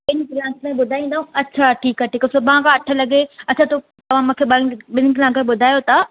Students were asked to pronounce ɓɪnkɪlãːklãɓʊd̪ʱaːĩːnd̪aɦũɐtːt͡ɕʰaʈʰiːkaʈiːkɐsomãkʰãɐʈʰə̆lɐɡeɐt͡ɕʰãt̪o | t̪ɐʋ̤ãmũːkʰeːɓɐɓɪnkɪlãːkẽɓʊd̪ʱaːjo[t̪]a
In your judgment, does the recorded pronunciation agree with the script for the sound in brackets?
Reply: yes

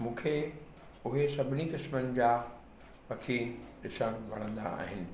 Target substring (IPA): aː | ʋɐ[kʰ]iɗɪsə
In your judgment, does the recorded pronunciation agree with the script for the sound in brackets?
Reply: yes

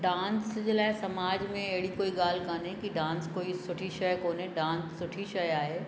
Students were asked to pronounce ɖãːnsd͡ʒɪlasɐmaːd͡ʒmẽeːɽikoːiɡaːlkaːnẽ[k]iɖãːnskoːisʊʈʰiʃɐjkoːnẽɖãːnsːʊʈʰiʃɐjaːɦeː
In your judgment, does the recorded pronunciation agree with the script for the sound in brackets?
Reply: yes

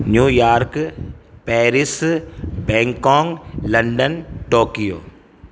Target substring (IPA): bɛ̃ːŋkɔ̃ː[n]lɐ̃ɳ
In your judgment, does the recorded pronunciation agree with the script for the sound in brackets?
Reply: no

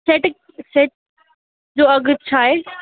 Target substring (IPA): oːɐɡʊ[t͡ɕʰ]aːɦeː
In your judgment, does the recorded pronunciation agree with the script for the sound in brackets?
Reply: yes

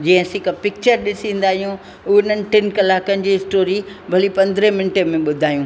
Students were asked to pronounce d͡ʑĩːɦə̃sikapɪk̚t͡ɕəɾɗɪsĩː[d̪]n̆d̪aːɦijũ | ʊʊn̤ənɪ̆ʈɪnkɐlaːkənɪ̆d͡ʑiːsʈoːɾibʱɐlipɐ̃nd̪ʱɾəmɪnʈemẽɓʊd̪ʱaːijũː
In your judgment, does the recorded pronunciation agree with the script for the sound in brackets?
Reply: no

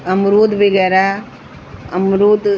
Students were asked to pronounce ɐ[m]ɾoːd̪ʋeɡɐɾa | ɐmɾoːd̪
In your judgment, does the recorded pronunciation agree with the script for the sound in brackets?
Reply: yes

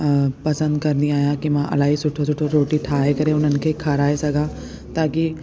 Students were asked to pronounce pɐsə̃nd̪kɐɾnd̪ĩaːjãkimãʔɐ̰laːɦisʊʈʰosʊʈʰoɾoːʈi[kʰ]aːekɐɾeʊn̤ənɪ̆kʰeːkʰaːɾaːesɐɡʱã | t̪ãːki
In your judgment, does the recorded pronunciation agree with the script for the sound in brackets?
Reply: no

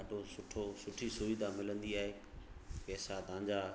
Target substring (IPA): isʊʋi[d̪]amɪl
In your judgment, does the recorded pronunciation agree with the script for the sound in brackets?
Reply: yes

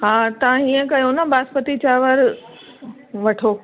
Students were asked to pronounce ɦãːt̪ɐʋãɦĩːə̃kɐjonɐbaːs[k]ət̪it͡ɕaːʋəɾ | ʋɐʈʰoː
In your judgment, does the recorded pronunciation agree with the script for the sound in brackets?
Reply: no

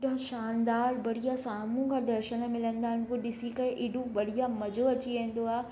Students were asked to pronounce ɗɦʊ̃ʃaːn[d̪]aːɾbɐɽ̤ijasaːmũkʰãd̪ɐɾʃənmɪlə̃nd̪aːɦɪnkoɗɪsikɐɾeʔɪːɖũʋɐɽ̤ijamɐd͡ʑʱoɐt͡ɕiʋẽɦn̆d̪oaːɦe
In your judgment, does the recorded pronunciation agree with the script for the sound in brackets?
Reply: yes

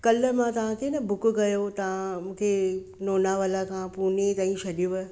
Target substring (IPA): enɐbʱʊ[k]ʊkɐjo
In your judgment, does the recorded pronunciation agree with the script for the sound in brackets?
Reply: yes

